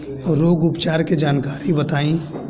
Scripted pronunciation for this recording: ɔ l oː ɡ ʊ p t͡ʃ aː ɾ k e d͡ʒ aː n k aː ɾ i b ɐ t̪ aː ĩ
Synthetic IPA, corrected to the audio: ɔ ɾ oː ɡ ʊ p t͡ʃ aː ɾ k e d͡ʒ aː n k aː ɾ i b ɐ t̪ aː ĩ